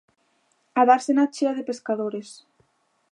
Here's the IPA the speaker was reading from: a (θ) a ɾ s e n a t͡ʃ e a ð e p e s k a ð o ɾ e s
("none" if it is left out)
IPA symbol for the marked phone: ð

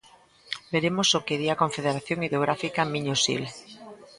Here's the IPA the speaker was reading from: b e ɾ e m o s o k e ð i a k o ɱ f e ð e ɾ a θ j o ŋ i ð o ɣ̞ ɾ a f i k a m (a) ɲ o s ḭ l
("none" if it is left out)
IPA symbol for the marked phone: i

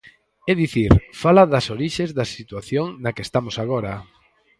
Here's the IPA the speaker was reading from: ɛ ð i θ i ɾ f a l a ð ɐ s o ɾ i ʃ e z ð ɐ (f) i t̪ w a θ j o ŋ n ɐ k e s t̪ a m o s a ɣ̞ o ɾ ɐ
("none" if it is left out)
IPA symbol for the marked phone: s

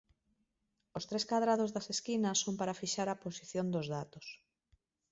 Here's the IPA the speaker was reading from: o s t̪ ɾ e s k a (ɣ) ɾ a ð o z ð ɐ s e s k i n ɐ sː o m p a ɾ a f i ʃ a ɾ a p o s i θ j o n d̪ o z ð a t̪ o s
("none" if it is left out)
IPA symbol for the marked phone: ð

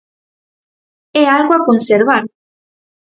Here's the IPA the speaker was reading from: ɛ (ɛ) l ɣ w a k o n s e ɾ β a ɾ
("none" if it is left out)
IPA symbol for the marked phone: a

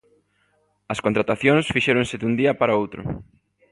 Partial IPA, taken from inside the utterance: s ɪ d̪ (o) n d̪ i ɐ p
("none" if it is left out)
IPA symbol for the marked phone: u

